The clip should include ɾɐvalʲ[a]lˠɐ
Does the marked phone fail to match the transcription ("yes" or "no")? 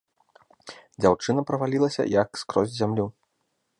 yes